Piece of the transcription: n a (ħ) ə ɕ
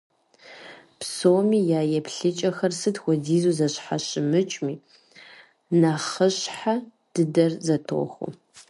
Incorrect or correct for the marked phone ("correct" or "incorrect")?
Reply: incorrect